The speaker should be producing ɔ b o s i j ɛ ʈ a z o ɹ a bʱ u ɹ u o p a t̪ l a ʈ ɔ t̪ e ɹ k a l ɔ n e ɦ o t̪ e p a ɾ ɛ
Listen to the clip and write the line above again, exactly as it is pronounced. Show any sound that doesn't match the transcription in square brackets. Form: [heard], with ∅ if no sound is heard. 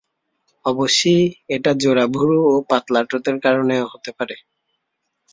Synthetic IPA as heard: ɔ b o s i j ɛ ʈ a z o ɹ a bʱ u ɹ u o p a t̪ l a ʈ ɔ t̪ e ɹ k a [ɹ] ɔ n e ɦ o t̪ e p a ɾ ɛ

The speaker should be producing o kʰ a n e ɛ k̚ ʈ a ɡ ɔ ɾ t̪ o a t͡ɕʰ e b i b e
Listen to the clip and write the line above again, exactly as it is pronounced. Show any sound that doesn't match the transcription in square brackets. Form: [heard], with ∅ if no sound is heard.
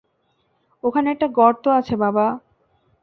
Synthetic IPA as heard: o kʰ a n e ɛ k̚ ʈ a ɡ ɔ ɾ t̪ o a t͡ɕʰ e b [a] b [a]

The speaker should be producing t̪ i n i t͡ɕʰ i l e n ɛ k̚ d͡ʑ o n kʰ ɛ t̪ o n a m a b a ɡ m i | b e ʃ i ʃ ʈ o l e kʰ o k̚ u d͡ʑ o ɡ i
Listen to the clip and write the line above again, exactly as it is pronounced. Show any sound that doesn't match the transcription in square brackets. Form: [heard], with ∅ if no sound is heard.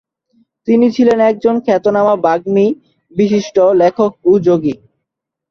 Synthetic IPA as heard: t̪ i n i t͡ɕʰ i l e n ɛ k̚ d͡ʑ o n kʰ ɛ t̪ o n a m a b a ɡ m i | b [i] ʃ i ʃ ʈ o l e kʰ o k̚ u d͡ʑ o ɡ i

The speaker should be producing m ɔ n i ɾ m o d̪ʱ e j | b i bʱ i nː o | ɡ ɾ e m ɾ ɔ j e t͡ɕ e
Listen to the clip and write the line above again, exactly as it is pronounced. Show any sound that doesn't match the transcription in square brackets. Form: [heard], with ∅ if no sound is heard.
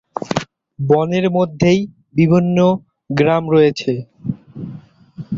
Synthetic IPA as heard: [b] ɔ n [e] ɾ m o [d̪ʱː] e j | b i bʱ i nː o | ɡ ɾ [a] m ɾ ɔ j e [t͡ɕʰ] e

